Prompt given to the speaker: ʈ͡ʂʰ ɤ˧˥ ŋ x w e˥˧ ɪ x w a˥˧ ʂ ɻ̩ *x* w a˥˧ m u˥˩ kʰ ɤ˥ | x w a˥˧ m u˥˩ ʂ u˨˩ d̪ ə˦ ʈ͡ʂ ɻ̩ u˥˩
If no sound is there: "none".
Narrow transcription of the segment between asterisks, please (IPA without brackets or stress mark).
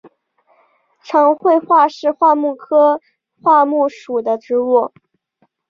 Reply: x